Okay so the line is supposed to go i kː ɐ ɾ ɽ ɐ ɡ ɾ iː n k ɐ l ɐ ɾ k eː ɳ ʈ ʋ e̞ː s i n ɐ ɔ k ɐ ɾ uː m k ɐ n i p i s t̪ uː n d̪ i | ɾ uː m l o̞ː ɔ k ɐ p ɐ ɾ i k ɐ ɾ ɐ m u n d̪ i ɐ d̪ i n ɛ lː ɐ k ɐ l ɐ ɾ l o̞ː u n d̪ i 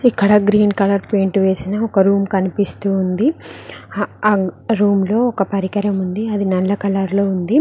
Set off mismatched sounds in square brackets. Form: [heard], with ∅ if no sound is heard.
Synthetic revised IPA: i kː ɐ [∅] ɽ ɐ ɡ ɾ iː n k ɐ l ɐ ɾ [p] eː ɳ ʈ ʋ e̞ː s i n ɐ ɔ k ɐ ɾ uː m k ɐ n i p i s t̪ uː n d̪ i | ɾ uː m l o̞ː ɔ k ɐ p ɐ ɾ i k ɐ ɾ ɐ m u n d̪ i ɐ d̪ i n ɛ lː ɐ k ɐ l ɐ ɾ l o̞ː u n d̪ i